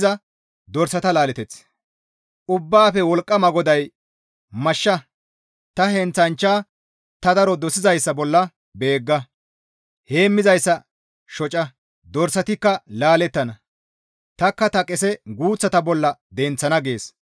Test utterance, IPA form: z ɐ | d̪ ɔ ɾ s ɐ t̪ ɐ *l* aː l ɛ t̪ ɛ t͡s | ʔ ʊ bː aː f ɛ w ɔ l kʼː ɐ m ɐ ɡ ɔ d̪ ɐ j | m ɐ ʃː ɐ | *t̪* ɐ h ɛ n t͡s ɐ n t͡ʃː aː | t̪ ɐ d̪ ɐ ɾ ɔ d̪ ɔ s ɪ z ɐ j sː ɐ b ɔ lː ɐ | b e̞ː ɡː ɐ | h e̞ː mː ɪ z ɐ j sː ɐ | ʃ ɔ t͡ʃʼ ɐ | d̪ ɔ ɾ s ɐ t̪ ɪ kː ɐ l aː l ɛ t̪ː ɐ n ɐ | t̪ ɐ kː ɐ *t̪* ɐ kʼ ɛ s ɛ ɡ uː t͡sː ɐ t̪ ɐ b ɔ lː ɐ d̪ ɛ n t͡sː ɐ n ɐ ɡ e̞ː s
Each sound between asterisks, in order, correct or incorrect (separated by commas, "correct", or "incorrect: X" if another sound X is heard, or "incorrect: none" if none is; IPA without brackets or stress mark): correct, correct, correct